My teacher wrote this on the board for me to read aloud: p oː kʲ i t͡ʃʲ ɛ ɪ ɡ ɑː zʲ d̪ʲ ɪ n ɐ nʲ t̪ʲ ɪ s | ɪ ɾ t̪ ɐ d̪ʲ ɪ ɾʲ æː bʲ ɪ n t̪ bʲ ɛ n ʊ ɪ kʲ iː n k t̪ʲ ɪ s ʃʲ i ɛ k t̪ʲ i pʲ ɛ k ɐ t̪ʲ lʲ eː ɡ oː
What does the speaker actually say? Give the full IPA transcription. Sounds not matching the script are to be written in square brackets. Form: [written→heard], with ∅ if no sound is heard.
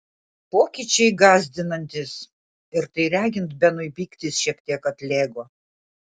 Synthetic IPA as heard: p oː kʲ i t͡ʃʲ ɛ ɪ ɡ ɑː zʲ d̪ʲ ɪ n ɐ nʲ t̪ʲ ɪ s | ɪ ɾ t̪ ɐ [d̪ʲ→∅] ɪ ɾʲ æː [bʲ→ɡʲ] ɪ n t̪ bʲ ɛ n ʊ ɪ [kʲ→pʲ] iː [n→∅] k t̪ʲ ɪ s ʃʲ i ɛ k t̪ʲ i [pʲ→∅] ɛ k ɐ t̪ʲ lʲ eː ɡ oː